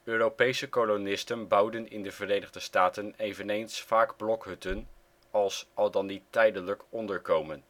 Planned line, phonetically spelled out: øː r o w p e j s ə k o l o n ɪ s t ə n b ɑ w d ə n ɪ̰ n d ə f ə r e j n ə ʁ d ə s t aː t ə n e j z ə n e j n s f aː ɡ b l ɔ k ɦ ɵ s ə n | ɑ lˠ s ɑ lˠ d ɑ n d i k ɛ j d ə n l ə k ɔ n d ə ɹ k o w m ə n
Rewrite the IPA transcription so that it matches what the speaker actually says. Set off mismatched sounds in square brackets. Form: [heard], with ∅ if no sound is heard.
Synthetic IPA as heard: øː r o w p e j s ə k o l o n ɪ s t ə n b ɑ w d ə n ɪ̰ n d ə [v] ə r e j n ə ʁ d ə s t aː t ə n e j [v] ə n e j n s f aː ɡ b l ɔ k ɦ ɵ [t] ə n | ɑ lˠ s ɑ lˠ d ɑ n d i [t] ɛ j d ə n l ə k ɔ n d ə ɹ k o w m ə n